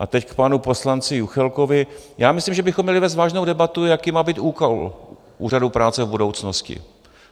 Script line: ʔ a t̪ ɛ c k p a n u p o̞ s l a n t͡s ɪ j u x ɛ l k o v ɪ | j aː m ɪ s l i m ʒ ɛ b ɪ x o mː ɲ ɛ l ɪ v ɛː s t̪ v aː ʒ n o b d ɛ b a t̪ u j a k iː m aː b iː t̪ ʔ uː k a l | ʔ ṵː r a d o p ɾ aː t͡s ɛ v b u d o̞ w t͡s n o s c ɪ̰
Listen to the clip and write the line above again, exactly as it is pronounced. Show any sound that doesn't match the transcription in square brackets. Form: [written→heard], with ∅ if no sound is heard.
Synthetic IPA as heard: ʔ a t̪ ɛ c k p a n u p o̞ s l a n t͡s ɪ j u x ɛ l k o v ɪ | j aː m ɪ s l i m ʒ ɛ b ɪ x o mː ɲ ɛ l ɪ v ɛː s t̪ v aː ʒ n o [b→w] d ɛ b a t̪ u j a k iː m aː b iː t̪ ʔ uː k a l | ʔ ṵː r a d [o→u] p ɾ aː t͡s ɛ v b u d o̞ w t͡s n o s c ɪ̰